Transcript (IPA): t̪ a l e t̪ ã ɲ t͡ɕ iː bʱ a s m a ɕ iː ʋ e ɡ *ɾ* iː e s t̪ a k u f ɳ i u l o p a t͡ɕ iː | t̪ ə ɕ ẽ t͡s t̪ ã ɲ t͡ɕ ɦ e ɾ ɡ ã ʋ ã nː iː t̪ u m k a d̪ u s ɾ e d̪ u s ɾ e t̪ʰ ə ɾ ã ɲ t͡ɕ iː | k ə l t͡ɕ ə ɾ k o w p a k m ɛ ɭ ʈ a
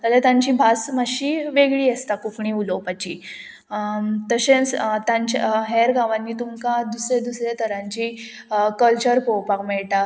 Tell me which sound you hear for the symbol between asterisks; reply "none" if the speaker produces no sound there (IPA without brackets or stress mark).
ɭ